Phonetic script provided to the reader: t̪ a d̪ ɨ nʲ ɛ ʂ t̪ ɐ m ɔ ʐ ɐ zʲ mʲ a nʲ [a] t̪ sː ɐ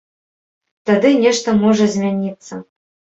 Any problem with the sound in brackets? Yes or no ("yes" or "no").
yes